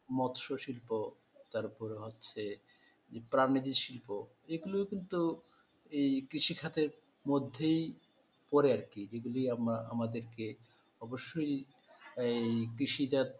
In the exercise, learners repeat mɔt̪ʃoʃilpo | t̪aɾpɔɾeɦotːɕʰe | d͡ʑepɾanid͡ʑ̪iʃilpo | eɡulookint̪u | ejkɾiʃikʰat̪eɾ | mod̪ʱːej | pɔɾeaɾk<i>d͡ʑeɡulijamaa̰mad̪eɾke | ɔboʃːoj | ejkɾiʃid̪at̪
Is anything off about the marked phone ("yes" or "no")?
no